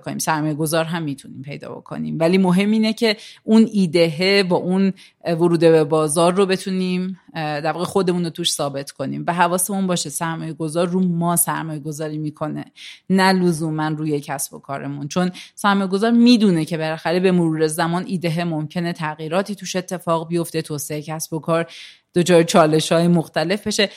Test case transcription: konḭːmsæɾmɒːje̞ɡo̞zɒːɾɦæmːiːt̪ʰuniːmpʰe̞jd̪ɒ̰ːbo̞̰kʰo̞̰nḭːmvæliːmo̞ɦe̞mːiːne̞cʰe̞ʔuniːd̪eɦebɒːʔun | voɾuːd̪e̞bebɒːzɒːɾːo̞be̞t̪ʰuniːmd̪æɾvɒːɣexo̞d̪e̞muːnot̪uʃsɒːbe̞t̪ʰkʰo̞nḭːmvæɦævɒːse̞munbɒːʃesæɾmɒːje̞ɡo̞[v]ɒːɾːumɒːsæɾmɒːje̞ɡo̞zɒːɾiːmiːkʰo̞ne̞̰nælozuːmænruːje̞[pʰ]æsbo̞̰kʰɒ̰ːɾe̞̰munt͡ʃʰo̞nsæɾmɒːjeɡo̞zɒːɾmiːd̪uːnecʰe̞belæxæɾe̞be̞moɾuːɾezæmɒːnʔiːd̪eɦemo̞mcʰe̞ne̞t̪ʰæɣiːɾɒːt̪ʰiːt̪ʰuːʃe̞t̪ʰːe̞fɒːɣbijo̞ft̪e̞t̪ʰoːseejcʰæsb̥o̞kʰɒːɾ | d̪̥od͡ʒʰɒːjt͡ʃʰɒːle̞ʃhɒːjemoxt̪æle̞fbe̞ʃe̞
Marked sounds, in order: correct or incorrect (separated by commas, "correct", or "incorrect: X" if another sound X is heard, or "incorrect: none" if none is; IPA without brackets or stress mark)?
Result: incorrect: z, incorrect: cʰ